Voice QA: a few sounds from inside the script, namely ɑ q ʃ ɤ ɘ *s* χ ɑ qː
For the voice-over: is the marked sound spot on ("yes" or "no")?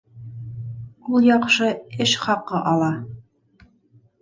no